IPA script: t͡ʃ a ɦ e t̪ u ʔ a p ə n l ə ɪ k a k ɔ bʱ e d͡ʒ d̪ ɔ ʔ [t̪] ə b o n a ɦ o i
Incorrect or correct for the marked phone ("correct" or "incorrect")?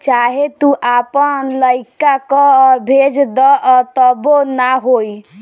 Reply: correct